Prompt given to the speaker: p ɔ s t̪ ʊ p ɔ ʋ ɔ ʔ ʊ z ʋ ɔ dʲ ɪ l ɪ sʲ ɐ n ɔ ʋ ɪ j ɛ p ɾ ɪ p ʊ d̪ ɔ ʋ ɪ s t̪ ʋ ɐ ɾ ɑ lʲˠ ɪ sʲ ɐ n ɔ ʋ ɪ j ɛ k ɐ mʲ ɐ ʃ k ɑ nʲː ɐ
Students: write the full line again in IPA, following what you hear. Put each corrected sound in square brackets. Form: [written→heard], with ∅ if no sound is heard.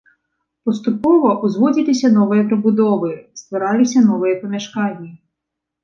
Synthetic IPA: p ɔ s t̪ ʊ p ɔ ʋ ɔ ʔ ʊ z ʋ ɔ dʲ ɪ l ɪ sʲ ɐ n ɔ ʋ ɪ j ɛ p ɾ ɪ [p→b] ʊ d̪ ɔ ʋ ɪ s t̪ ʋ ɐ ɾ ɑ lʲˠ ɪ sʲ ɐ n ɔ ʋ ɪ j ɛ [k→p] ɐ mʲ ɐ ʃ k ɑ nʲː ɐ